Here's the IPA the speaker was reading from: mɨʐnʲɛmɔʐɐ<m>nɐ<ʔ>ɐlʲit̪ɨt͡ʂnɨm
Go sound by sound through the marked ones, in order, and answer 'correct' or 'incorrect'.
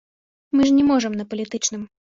correct, incorrect: p

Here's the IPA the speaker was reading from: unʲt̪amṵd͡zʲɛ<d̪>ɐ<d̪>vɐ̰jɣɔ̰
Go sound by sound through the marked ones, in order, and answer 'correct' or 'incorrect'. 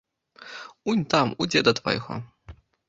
correct, incorrect: t̪

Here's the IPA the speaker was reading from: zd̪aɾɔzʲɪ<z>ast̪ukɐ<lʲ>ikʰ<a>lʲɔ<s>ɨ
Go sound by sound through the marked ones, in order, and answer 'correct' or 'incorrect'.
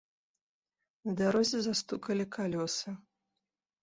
correct, correct, correct, correct

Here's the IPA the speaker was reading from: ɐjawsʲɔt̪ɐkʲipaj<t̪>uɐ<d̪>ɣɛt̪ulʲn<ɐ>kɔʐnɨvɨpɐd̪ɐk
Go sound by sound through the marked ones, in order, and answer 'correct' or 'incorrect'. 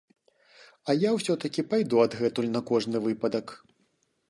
incorrect: d̪, correct, correct

